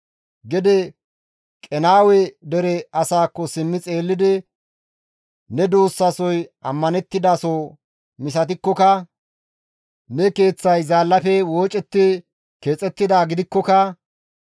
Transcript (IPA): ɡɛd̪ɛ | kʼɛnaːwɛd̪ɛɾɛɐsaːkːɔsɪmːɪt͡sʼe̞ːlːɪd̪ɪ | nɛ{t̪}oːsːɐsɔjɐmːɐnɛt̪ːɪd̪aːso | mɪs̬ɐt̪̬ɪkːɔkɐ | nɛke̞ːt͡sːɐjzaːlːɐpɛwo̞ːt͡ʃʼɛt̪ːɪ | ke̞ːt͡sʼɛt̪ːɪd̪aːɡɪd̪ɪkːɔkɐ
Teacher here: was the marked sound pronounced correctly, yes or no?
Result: no